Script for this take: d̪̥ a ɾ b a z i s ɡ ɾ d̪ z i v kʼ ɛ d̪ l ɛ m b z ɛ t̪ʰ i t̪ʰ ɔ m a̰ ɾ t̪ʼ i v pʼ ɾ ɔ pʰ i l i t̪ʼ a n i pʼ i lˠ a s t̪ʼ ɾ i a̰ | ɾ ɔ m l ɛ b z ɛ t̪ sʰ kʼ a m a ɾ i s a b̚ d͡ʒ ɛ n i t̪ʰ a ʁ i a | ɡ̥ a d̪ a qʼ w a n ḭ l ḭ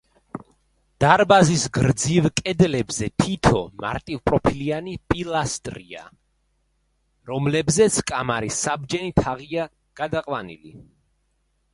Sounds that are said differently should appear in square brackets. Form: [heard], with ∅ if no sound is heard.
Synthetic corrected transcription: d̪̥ a ɾ b a z i s ɡ ɾ d̪ z i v kʼ ɛ d̪ l ɛ [∅] b z ɛ t̪ʰ i t̪ʰ ɔ m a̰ ɾ t̪ʼ i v pʼ ɾ ɔ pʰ i l i [∅] a n i pʼ i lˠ a s t̪ʼ ɾ i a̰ | ɾ ɔ m l ɛ b z ɛ t̪ sʰ kʼ a m a ɾ i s a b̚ d͡ʒ ɛ n i t̪ʰ a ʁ i a | ɡ̥ a d̪ a qʼ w a n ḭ l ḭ